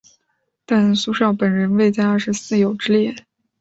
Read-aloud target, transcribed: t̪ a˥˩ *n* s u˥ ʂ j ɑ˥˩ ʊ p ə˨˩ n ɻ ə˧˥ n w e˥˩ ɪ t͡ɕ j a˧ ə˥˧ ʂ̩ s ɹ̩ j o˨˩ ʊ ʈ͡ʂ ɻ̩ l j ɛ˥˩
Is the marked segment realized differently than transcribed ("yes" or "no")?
no